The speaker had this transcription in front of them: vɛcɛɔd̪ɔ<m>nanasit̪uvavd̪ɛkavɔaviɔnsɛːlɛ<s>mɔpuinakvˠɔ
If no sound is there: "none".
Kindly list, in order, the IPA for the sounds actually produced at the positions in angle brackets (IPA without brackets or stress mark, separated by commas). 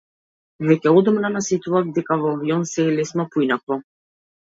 m, s